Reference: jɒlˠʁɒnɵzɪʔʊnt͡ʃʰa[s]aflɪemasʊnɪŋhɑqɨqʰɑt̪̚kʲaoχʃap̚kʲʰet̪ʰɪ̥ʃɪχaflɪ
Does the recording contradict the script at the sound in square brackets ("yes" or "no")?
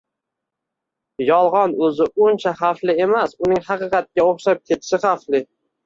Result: yes